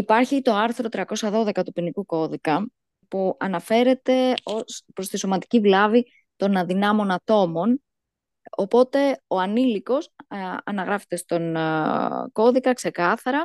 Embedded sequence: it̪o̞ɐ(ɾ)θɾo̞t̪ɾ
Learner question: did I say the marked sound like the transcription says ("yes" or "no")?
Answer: yes